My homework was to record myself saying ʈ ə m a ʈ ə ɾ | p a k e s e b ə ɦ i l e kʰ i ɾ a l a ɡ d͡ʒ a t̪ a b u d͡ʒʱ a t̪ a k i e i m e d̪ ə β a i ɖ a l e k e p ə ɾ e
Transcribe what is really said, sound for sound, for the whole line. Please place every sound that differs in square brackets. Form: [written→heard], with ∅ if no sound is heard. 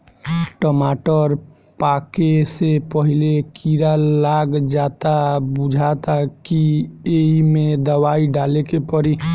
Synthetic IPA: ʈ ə m a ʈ ə ɾ | p a k e s e [b→p] ə ɦ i l e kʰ i ɾ a l a ɡ d͡ʒ a t̪ a b u d͡ʒʱ a t̪ a k i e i m e d̪ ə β a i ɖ a l e k e p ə ɾ [e→i]